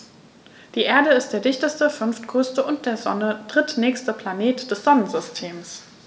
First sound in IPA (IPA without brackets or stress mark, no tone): d̥